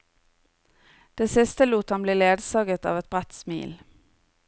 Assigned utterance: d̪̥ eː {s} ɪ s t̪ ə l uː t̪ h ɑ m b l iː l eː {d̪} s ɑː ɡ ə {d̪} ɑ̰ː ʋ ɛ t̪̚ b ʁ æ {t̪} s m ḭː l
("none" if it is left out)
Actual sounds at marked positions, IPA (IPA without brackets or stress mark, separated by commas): s, d̪, t̪, t̪